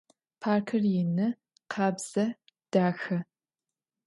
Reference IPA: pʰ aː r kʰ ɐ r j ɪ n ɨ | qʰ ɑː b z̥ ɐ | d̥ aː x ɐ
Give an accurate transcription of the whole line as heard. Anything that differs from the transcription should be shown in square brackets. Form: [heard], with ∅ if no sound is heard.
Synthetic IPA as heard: pʰ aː r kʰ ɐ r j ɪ n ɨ | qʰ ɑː b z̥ ɐ | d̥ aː x ɐ